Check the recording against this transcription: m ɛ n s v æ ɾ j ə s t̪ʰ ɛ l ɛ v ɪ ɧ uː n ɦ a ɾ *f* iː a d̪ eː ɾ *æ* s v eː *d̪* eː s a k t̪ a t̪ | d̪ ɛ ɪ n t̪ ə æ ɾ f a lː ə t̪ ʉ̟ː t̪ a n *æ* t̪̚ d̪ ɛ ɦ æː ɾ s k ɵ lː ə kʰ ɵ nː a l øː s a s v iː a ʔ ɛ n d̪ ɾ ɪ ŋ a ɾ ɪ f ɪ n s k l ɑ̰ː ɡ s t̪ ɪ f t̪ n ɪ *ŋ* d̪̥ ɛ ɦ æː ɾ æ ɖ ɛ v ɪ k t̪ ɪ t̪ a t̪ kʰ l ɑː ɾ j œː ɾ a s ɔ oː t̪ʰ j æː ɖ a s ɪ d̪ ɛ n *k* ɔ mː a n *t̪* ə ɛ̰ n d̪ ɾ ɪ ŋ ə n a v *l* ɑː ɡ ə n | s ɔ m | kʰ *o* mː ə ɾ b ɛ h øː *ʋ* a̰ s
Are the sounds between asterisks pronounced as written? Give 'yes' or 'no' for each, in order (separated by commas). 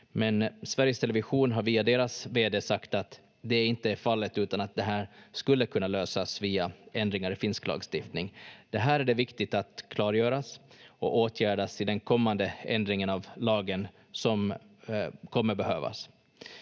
no, no, yes, no, yes, no, no, yes, no, no